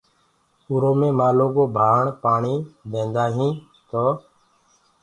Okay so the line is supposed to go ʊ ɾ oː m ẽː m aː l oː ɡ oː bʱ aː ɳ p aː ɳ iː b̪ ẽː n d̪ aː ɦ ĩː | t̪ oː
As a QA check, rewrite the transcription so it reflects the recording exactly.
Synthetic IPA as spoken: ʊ ɾ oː m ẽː m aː l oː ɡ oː bʱ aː ɳ p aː ɳ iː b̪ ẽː n d̪ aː ɦ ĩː | t̪ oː